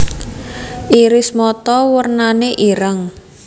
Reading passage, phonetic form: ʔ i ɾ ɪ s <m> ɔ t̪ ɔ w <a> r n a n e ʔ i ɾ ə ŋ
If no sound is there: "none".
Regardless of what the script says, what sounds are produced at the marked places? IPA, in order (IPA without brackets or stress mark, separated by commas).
m, ə